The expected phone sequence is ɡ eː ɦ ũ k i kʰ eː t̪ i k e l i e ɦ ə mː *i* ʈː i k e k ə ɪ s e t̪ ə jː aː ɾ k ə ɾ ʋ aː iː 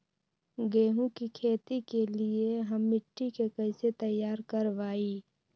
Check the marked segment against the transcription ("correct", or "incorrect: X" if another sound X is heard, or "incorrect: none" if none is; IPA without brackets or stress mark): incorrect: ɪ